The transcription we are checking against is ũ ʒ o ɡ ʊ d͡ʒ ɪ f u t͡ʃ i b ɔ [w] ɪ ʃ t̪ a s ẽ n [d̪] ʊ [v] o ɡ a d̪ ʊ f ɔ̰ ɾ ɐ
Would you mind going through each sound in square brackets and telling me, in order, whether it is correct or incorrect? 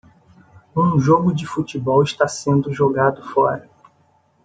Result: correct, correct, incorrect

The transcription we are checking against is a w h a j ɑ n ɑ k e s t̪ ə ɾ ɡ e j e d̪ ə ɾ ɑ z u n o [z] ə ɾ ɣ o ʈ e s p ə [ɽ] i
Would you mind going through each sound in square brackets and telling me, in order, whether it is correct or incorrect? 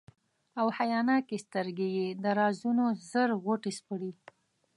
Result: correct, correct

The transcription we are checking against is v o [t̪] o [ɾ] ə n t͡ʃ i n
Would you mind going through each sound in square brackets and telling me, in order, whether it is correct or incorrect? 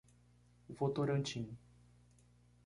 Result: correct, correct

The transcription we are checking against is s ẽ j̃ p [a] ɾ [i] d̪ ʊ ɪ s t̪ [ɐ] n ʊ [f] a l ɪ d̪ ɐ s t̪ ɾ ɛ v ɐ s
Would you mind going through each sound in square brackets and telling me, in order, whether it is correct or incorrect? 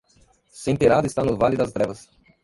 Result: incorrect, incorrect, incorrect, incorrect

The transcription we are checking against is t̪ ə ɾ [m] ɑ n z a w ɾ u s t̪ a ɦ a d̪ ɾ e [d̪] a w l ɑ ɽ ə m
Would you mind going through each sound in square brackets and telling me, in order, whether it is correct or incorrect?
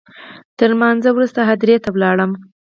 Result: correct, incorrect

